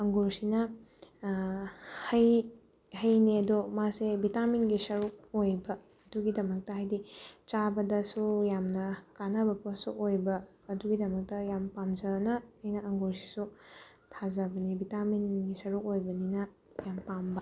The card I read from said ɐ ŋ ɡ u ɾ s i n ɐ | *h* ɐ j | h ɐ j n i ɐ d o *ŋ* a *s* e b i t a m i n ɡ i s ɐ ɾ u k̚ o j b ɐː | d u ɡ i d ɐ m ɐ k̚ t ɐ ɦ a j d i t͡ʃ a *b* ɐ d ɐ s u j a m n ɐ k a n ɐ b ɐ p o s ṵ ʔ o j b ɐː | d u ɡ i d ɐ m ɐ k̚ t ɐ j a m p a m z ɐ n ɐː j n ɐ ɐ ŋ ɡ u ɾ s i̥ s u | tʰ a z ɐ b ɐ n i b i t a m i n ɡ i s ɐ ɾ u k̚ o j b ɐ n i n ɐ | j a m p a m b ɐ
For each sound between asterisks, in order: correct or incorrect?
correct, incorrect, correct, correct

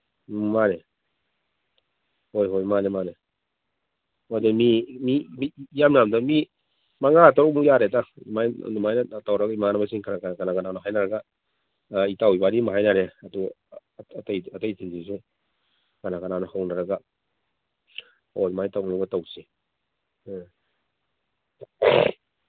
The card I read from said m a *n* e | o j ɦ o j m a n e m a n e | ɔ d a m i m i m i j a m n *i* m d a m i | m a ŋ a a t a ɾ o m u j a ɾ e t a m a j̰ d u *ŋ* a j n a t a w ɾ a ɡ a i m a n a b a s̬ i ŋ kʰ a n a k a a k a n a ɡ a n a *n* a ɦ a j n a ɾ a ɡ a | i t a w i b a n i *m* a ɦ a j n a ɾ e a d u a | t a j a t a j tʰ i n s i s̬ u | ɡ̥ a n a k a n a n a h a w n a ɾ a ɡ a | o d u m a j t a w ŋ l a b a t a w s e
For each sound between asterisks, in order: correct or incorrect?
correct, incorrect, incorrect, correct, correct

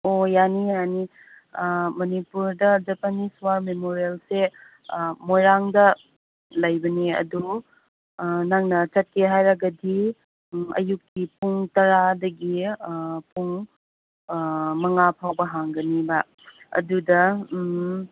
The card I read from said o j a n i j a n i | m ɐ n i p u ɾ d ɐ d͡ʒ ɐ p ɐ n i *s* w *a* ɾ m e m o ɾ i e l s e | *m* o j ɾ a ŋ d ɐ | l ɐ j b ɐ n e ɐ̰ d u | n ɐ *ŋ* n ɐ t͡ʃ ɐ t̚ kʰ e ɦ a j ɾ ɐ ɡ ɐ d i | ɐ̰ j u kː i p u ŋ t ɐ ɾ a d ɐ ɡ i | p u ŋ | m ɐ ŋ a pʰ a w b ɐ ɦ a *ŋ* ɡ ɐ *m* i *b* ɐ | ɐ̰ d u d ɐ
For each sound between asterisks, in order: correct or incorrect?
correct, correct, correct, correct, correct, incorrect, correct

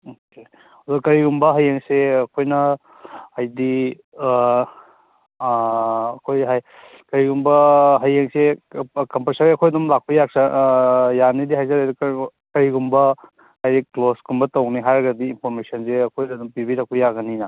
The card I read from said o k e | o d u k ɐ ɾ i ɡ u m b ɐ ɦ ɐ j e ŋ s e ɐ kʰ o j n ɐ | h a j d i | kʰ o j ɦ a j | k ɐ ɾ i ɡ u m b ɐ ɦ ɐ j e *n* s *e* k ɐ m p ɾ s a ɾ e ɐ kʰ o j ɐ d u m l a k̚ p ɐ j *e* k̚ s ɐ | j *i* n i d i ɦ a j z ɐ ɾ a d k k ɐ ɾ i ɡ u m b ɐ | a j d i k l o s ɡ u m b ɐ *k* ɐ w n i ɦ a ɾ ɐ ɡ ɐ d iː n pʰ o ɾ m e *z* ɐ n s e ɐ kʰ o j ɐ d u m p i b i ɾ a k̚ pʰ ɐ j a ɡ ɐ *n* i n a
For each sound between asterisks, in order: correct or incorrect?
incorrect, correct, incorrect, incorrect, incorrect, incorrect, correct

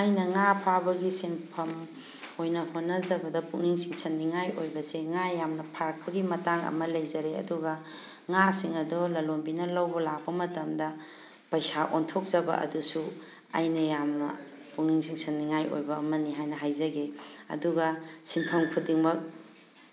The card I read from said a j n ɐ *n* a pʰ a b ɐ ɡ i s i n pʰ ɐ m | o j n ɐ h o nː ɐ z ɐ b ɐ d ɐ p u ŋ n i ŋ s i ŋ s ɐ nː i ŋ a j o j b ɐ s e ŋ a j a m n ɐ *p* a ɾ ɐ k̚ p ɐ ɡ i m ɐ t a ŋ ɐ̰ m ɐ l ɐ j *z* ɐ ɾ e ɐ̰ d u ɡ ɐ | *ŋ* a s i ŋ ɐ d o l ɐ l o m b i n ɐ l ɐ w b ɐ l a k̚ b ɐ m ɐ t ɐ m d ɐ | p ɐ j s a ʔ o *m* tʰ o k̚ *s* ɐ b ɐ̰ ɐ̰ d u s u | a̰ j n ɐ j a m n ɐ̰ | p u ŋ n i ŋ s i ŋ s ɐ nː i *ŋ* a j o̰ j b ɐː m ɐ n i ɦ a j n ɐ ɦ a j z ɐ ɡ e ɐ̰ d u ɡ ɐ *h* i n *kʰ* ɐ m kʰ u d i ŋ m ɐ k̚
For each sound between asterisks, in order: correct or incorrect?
incorrect, incorrect, correct, correct, incorrect, incorrect, correct, incorrect, incorrect

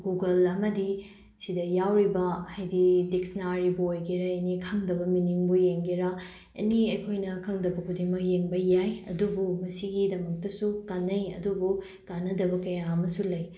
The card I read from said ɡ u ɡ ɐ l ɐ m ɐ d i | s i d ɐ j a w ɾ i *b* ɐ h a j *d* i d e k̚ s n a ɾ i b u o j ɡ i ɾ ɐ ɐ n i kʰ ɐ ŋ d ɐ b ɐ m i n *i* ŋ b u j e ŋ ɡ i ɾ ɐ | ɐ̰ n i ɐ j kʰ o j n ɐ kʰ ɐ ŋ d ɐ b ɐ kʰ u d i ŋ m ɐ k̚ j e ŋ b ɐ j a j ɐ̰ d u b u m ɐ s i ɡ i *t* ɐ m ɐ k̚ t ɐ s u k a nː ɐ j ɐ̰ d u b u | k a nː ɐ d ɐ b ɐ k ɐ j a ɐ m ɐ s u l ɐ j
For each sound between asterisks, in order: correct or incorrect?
correct, correct, correct, incorrect

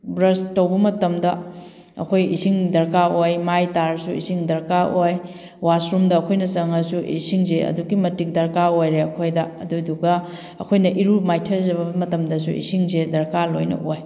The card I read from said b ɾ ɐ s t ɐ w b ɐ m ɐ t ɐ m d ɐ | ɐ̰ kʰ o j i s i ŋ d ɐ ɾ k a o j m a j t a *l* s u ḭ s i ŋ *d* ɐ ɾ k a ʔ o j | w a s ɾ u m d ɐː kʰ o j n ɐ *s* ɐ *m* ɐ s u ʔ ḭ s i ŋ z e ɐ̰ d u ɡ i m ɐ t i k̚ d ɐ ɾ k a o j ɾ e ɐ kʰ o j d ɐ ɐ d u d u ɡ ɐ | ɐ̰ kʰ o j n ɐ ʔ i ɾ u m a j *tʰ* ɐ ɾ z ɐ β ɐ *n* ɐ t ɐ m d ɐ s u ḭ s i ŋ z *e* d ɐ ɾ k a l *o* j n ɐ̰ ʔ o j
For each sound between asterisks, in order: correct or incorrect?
incorrect, correct, correct, incorrect, correct, incorrect, correct, correct

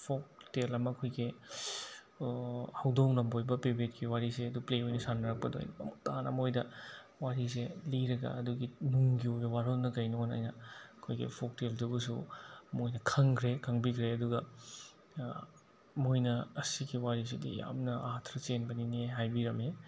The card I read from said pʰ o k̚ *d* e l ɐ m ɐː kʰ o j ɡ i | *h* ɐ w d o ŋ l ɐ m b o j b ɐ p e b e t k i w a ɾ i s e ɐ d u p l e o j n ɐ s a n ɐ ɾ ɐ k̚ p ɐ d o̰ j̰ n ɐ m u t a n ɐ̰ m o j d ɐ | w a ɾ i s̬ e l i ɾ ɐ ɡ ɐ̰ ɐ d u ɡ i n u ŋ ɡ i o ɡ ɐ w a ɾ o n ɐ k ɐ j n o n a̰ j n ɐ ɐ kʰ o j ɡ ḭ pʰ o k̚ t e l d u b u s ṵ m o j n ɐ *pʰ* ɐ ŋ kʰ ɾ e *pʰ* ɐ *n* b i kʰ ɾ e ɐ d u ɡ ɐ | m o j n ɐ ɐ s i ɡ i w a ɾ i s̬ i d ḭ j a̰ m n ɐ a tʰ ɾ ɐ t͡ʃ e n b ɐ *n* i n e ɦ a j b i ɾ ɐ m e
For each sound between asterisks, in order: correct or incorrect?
incorrect, correct, incorrect, incorrect, incorrect, correct

